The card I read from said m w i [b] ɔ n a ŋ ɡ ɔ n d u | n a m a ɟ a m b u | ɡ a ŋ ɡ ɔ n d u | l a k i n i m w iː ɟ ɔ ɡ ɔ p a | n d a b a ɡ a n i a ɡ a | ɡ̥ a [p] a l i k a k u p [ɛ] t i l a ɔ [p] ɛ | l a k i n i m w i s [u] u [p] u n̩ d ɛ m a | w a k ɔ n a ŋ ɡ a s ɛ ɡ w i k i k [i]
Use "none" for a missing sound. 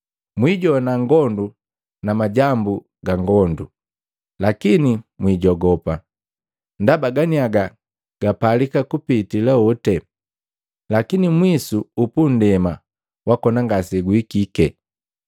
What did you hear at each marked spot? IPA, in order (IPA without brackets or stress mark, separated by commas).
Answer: ɟ, p, i, t, u, p, ɛ